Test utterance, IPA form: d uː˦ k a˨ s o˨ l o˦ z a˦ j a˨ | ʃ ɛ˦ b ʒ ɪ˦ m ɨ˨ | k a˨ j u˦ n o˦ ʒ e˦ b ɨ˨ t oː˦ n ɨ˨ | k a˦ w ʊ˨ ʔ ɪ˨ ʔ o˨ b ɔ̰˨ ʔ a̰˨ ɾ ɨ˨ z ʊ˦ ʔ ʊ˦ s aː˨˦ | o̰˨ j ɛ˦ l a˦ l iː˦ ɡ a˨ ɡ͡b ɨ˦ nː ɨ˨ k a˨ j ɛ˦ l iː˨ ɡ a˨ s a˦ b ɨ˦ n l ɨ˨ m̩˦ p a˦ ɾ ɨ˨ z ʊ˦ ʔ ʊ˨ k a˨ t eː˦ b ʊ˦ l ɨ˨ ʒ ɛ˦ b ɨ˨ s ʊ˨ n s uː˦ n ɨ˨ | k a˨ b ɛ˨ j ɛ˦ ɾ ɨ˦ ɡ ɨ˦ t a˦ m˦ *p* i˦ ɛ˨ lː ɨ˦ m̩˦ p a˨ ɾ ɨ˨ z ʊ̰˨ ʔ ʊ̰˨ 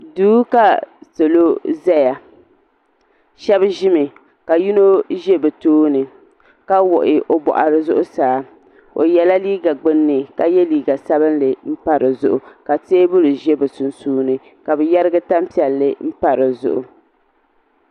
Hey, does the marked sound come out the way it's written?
yes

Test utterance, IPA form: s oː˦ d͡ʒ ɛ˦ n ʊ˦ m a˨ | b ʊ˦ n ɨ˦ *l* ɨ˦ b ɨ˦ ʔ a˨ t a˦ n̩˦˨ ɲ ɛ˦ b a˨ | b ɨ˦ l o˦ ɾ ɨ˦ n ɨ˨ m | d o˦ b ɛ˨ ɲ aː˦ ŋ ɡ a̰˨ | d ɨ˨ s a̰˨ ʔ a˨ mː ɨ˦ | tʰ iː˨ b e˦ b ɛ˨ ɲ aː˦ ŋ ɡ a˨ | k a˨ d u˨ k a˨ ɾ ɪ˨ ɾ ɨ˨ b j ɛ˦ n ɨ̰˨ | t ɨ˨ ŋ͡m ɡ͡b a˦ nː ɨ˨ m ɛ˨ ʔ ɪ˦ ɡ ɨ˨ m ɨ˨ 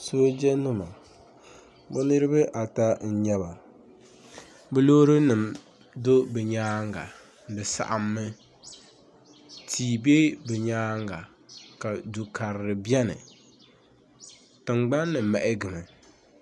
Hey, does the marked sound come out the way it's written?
no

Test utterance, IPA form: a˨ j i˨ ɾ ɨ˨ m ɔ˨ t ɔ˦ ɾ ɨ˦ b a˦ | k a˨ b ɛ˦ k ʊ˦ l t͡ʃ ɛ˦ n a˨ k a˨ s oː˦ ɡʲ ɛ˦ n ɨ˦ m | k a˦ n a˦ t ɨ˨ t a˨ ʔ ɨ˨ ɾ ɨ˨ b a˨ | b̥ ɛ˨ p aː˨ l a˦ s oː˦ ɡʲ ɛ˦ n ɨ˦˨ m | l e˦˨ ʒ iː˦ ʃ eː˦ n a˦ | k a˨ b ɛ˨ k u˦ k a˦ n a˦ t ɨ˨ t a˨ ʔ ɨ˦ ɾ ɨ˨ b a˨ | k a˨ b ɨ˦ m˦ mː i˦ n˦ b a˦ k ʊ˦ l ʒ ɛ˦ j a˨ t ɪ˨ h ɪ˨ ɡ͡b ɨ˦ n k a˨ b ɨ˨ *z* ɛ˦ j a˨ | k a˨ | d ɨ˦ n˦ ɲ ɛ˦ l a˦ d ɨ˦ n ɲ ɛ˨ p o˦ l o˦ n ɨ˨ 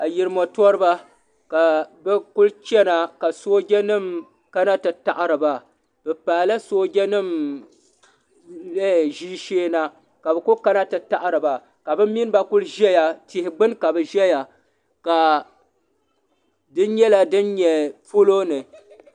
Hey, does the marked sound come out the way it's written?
no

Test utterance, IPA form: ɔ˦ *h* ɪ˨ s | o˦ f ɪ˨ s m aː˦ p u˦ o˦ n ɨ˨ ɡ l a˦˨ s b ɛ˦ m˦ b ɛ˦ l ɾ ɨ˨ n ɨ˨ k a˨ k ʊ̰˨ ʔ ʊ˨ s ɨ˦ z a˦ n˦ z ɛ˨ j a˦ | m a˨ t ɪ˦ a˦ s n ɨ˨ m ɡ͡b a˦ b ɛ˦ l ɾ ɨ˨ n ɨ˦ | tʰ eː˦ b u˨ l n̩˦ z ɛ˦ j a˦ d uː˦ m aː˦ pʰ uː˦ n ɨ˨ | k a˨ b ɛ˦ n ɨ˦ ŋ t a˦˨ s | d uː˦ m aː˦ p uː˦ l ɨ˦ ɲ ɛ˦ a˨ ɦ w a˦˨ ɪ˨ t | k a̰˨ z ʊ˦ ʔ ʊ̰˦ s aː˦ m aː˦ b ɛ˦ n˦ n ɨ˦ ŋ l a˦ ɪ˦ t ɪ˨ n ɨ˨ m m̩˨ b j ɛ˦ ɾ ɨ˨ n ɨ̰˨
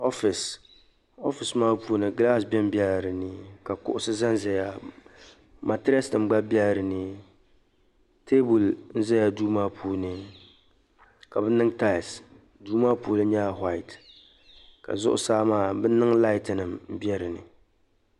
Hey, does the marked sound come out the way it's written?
no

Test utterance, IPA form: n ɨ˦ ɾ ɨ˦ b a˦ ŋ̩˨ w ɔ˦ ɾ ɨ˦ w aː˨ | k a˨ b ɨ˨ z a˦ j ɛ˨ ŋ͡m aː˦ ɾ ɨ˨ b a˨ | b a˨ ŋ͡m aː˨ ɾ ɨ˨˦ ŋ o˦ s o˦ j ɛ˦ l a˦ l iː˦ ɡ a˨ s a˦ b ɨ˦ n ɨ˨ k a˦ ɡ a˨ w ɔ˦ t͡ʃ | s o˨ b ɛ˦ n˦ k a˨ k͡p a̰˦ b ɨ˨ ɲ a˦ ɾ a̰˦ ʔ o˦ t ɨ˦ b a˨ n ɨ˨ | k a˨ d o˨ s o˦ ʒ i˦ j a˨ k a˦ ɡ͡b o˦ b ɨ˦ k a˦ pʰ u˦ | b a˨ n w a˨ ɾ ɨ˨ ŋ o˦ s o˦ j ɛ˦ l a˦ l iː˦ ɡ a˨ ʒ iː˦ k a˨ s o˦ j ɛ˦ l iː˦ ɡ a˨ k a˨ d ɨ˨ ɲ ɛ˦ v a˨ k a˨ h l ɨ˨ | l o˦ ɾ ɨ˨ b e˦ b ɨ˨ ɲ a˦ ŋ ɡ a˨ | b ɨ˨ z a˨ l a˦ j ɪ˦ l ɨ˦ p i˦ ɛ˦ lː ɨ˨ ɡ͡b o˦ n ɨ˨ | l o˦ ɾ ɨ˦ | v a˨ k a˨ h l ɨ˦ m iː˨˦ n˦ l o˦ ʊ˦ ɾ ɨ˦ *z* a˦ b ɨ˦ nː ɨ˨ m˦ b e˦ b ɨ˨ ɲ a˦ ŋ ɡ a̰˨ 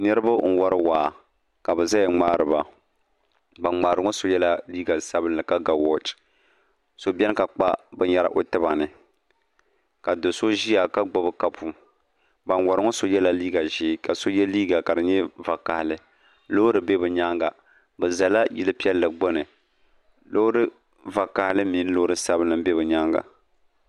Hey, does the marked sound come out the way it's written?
no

